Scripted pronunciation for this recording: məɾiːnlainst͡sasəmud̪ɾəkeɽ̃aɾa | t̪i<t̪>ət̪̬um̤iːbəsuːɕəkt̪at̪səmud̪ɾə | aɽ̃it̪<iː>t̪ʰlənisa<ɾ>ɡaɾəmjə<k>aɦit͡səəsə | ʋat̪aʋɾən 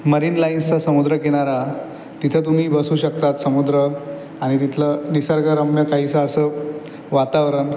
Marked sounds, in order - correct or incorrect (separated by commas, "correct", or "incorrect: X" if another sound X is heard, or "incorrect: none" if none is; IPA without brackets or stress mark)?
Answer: incorrect: t̪ʰ, incorrect: i, correct, correct